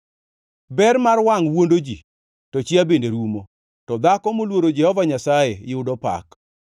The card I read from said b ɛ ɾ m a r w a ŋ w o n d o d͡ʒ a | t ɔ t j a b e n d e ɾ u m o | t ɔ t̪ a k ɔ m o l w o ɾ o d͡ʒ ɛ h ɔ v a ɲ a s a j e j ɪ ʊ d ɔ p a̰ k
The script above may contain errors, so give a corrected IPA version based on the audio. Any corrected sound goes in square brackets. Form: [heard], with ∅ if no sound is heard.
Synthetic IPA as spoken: b ɛ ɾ m a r w a ŋ w o n d o d͡ʒ [i] | t ɔ [t͡ʃ] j a b e n d e ɾ u m o | t ɔ [d̪] a k ɔ m o l w o ɾ o d͡ʒ ɛ h ɔ v a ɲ a s a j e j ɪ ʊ d ɔ p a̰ k